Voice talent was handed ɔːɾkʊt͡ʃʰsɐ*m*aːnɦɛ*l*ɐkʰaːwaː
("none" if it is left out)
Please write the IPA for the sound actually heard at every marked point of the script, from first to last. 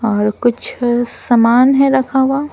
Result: m, ɾ

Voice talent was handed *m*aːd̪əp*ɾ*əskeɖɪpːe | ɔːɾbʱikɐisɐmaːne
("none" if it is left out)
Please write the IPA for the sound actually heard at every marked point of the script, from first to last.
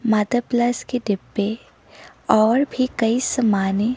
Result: m, l

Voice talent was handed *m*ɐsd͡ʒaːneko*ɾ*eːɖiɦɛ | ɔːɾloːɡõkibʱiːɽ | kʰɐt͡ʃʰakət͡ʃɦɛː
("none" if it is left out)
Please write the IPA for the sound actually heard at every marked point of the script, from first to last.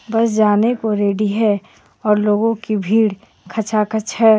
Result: b, ɾ

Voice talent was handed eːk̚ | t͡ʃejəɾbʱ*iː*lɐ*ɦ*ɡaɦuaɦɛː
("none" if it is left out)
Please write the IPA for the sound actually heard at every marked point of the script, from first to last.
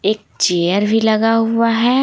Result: i, none

